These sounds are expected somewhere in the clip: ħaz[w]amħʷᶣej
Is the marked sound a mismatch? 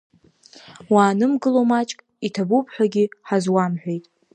no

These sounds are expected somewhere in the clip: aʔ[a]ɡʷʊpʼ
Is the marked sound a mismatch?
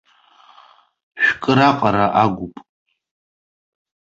no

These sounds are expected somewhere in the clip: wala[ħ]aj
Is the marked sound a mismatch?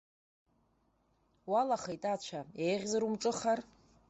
yes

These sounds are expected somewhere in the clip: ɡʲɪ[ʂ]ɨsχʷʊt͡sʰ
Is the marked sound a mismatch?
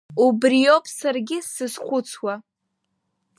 yes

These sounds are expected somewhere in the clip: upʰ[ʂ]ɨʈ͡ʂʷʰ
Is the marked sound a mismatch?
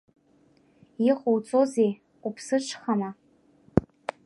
yes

